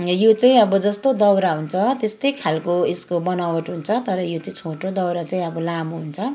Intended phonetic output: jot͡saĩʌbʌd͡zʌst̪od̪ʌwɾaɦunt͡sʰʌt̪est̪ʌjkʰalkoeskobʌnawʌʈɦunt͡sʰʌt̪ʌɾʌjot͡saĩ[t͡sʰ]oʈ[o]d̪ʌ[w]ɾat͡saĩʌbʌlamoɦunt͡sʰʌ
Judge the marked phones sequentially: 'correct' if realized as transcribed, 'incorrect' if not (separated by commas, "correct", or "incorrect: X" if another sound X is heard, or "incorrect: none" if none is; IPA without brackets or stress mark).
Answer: correct, correct, correct